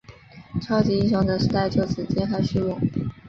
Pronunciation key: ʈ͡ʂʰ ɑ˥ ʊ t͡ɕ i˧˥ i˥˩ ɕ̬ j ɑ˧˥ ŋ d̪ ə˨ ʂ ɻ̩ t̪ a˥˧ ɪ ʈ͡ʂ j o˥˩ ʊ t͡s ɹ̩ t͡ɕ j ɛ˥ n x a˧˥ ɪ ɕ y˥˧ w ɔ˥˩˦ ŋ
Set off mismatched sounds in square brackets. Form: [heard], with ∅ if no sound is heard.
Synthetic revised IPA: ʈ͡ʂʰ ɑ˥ ʊ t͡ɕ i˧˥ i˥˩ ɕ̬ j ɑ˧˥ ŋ d̪ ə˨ ʂ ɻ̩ t̪ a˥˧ ɪ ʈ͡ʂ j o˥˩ ʊ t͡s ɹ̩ t͡ɕ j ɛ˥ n x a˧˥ ɪ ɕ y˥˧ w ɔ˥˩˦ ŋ